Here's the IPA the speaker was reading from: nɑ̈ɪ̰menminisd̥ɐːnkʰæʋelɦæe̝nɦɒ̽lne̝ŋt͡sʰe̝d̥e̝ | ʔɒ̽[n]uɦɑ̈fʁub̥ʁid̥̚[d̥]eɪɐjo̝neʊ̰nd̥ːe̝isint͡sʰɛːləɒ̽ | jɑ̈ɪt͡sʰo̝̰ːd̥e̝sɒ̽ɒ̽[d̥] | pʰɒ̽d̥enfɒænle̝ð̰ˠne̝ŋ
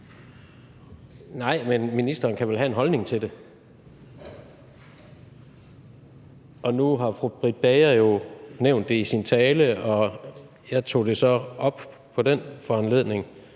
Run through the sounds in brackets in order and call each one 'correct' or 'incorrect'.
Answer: correct, incorrect, incorrect

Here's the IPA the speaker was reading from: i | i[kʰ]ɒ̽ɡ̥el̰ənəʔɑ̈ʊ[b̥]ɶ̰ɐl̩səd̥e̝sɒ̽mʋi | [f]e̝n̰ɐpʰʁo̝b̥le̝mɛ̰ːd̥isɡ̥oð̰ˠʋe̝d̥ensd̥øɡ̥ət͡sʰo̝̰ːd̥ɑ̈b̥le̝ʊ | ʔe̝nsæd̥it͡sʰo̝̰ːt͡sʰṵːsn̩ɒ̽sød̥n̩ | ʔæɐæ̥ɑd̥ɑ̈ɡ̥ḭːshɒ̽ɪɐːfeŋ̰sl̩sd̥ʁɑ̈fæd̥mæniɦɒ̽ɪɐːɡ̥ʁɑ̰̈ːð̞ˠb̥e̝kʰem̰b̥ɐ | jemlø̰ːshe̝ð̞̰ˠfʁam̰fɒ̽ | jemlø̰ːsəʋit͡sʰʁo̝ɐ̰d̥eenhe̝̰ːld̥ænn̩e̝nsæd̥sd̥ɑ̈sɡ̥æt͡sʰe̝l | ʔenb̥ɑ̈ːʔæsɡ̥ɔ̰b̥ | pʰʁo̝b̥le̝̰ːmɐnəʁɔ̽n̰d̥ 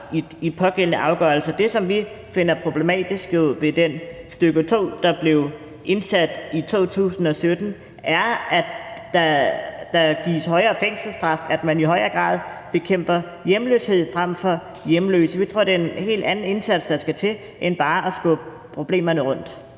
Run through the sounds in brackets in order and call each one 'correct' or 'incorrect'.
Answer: incorrect, incorrect, correct

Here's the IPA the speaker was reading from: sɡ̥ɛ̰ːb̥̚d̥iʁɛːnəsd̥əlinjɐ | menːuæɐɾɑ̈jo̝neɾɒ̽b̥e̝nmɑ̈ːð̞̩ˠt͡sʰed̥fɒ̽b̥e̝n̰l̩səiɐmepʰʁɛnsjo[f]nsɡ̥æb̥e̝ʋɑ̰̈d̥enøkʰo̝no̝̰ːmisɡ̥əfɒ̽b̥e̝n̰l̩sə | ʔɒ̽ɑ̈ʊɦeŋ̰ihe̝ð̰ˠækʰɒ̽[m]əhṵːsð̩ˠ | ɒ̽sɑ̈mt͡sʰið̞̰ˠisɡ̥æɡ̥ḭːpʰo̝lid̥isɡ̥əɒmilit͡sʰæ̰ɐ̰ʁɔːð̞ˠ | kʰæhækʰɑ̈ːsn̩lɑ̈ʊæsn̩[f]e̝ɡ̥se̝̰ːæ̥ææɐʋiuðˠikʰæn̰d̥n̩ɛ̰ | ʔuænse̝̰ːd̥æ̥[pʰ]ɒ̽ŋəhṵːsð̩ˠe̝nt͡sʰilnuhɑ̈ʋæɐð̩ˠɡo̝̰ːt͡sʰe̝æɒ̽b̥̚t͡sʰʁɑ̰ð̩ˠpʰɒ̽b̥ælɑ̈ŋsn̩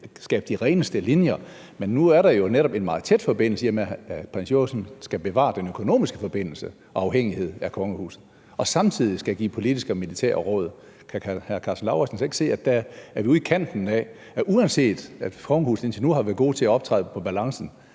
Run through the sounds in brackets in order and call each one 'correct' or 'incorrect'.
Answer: incorrect, incorrect, incorrect, incorrect

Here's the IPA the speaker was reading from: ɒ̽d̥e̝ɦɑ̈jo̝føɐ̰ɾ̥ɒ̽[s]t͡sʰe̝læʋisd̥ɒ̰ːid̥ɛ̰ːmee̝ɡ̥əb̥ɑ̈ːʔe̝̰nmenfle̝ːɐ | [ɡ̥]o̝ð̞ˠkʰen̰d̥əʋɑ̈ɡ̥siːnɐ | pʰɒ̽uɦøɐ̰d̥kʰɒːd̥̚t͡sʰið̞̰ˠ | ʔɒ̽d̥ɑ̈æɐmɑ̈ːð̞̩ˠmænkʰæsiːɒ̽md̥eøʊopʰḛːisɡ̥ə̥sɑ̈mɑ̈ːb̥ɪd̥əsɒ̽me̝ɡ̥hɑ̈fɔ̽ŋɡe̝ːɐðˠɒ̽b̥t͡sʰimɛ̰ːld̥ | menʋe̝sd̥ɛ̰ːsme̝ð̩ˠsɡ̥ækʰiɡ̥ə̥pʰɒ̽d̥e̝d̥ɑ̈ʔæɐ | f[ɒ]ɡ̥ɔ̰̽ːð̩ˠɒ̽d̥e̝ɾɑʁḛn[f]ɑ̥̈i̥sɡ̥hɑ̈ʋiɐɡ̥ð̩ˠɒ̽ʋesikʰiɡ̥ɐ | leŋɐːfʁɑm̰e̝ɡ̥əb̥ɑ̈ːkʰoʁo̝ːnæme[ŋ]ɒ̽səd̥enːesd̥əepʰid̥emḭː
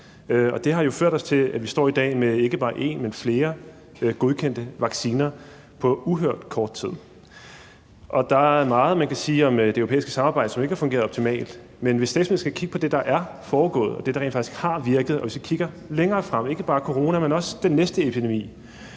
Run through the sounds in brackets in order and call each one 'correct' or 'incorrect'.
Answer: correct, correct, incorrect, correct, incorrect

